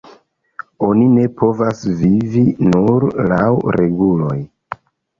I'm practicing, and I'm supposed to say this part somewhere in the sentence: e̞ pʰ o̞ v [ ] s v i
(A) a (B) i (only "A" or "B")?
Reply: A